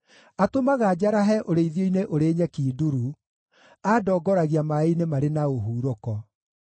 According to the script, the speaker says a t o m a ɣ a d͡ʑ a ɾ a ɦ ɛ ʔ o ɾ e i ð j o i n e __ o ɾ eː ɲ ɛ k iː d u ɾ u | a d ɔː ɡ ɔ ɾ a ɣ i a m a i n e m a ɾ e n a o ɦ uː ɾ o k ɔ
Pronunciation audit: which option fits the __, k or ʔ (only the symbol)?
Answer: ʔ